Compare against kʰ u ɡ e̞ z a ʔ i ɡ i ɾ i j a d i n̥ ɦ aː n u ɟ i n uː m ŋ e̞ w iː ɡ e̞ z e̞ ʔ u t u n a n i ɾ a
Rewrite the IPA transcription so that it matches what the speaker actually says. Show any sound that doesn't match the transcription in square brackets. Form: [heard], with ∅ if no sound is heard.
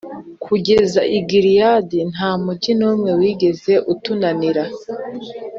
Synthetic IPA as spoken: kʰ u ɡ e̞ z a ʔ i ɡ i ɾ i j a d i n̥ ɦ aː [m] u ɟ i n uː m ŋ e̞ w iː ɡ e̞ z e̞ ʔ u t u n a n i ɾ a